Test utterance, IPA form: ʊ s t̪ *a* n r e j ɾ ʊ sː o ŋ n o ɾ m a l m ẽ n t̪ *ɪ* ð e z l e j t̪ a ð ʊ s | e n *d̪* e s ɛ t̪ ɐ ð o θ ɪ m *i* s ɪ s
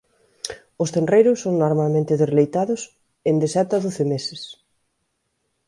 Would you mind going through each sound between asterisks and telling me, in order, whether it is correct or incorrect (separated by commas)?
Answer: incorrect, correct, correct, incorrect